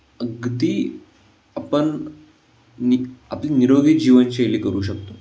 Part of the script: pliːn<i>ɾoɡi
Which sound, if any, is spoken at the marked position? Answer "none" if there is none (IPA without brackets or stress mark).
i